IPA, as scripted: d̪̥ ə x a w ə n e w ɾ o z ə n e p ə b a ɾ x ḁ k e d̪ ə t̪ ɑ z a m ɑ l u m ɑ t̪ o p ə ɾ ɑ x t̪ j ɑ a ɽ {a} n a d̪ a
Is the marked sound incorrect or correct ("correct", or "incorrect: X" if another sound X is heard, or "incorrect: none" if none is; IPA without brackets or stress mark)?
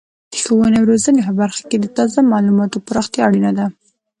incorrect: i